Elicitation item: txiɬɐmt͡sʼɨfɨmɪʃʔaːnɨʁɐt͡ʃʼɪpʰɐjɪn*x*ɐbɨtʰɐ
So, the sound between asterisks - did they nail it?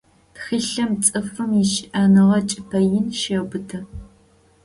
no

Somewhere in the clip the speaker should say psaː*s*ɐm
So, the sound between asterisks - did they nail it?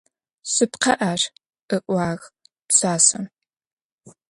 yes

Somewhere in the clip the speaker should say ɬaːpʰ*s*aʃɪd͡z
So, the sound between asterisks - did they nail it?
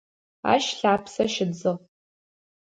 yes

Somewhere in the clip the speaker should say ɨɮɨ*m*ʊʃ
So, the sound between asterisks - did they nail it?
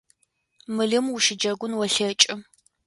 yes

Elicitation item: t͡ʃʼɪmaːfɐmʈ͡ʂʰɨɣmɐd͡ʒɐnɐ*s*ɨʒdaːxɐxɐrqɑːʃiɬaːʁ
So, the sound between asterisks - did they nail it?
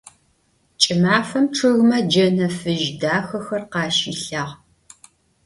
no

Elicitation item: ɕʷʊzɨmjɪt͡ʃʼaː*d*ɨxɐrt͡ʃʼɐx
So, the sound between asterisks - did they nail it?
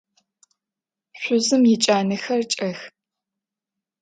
no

